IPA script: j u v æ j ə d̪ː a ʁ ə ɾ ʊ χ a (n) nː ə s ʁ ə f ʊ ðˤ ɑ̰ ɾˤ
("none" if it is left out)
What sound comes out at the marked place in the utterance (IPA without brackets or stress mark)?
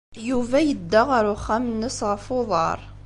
m